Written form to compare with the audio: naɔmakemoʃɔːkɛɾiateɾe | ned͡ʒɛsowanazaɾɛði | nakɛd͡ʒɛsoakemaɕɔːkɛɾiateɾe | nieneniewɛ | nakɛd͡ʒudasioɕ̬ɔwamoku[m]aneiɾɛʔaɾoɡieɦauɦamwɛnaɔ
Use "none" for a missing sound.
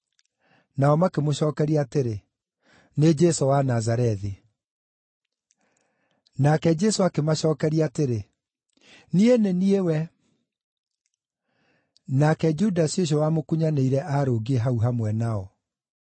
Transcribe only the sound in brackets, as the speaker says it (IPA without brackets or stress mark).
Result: ɲ